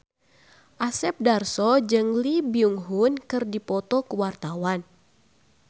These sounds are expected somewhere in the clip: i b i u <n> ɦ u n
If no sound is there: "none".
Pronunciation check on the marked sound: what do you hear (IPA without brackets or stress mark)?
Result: ŋ